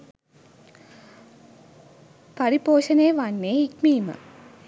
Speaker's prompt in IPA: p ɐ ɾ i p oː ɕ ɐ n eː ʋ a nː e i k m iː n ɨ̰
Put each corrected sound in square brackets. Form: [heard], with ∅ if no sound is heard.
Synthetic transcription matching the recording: p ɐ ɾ i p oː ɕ ɐ n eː ʋ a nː e i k m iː [m] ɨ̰